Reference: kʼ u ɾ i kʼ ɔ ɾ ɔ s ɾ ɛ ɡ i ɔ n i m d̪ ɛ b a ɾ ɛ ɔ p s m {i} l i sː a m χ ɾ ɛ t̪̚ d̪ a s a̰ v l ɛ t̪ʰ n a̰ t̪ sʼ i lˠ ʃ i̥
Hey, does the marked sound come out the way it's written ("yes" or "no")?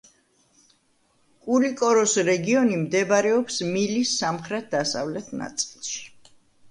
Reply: yes